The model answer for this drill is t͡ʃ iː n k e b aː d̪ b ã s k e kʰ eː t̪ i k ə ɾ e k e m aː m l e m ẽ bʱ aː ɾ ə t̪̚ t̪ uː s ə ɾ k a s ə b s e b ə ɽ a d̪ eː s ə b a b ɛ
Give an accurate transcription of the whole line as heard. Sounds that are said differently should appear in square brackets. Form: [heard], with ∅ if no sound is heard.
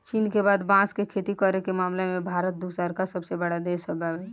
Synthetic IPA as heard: t͡ʃ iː n k e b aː d̪ b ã s k e kʰ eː t̪ i k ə ɾ e k e m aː m l e m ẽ bʱ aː ɾ ə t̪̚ [d̪] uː s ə ɾ k a s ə b s e b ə ɽ a d̪ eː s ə b a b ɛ